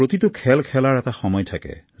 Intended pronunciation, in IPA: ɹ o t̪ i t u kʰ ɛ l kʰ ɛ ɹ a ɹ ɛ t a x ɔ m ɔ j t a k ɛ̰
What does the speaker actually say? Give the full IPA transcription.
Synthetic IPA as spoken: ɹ o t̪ i t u kʰ ɛ l kʰ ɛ l a ɹ ɛ t a x ɔ m ɔ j tʰ a k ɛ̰